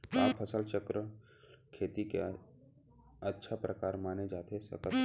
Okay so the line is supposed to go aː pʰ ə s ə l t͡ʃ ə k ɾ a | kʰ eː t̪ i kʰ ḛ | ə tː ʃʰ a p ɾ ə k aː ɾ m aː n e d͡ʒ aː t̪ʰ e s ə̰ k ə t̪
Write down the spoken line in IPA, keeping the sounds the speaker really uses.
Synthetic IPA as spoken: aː pʰ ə s ə l t͡ʃ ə k ɾ ə | kʰ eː t̪ i k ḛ | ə tː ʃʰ a p ɾ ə k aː ɾ m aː n e d͡ʒ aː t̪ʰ e s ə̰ k ə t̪

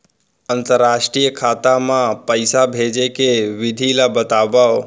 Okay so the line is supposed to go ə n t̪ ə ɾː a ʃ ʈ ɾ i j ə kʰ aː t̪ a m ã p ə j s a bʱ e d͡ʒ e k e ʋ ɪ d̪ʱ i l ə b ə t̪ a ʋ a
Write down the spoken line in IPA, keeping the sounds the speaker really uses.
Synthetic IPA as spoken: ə n t̪ ə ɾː a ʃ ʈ ɾ i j ə kʰ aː t̪ a m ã p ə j s a bʱ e d͡ʒ e k e ʋ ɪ d̪ʱ i l a b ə t̪ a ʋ a

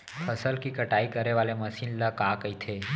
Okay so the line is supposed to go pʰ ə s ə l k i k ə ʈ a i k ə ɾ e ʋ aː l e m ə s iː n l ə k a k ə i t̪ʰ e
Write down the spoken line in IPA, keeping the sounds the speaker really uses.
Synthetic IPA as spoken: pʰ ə s ə l k i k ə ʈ a i k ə ɾ e ʋ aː l e m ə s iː n l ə k a k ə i t̪ʰ e

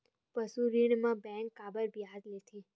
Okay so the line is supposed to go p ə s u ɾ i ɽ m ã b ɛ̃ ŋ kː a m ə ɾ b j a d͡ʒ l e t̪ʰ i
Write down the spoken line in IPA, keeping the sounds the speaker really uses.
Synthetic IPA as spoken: p ə s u ɾ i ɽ m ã b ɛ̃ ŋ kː a b ə ɾ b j a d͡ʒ l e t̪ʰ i

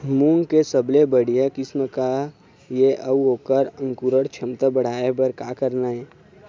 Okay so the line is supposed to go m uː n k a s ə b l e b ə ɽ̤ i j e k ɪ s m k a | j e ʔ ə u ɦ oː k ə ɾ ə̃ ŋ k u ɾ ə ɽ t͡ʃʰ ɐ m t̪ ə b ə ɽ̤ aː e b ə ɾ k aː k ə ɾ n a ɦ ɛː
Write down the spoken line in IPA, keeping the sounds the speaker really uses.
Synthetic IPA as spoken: m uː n k e s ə b l e b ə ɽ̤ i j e k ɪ s m k a | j e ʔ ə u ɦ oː k ə ɾ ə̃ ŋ k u ɾ ə ɽ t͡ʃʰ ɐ m t̪ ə b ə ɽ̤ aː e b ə ɾ k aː k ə ɾ n a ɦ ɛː

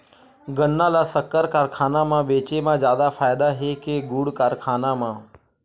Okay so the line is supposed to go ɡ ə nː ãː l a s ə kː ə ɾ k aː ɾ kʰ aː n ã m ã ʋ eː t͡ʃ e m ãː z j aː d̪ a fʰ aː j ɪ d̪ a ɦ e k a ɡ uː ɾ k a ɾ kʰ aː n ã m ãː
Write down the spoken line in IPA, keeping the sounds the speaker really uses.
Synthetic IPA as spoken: ɡ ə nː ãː l a s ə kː ə ɾ k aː ɾ kʰ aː n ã m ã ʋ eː t͡ʃ e m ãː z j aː d̪ a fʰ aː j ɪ d̪ a ɦ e k e ɡ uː ɽ k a ɾ kʰ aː n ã m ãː

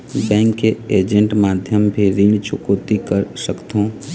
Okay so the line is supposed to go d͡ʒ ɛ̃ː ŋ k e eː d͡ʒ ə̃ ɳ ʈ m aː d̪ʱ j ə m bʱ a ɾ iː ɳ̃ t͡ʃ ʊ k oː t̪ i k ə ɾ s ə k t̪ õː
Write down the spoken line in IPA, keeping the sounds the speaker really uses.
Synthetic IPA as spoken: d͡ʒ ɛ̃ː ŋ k e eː d͡ʒ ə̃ ɳ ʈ m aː d̪ʱ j ə m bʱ i ɾ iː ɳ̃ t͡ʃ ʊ k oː t̪ i k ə ɾ s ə k t̪ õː

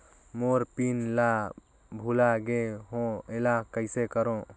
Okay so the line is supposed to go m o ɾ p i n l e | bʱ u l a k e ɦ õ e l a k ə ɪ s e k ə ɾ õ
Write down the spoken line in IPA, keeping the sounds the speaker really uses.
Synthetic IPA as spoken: m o ɾ p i n l a | bʱ u l a ɡ e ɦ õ e l a k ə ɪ s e k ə ɾ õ

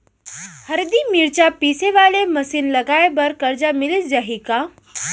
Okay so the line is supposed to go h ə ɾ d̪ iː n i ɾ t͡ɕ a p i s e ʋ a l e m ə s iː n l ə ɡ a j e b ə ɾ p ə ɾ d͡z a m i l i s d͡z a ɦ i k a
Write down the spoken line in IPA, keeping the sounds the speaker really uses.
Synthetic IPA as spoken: h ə ɾ d̪ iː m i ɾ t͡ɕ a p i s e ʋ a l e m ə s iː n l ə ɡ a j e b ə ɾ k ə ɾ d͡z a m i l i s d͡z a ɦ i k a

